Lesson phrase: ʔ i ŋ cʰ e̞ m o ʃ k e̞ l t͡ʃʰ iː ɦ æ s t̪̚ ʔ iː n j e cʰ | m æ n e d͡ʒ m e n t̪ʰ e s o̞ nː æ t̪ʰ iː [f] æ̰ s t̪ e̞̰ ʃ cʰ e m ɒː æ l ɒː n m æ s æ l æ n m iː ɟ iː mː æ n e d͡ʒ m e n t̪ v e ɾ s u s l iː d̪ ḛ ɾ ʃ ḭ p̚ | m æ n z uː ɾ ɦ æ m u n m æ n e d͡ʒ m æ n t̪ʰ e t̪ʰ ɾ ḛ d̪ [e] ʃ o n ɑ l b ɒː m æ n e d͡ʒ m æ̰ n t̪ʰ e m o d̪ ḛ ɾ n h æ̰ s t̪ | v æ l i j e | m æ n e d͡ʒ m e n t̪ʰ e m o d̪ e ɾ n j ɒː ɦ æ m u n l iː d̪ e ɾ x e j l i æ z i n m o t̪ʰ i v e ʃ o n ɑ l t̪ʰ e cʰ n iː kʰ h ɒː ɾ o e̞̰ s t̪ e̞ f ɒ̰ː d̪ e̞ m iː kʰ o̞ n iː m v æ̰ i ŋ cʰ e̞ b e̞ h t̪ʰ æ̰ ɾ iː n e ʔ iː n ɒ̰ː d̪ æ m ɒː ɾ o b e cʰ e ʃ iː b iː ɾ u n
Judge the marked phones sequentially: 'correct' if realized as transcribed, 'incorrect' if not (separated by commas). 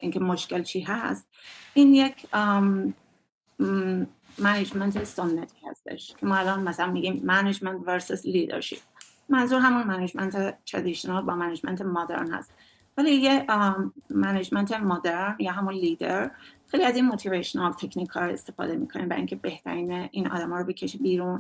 incorrect, incorrect